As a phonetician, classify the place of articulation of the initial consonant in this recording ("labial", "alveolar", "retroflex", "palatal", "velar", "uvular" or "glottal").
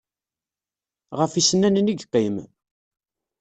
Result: uvular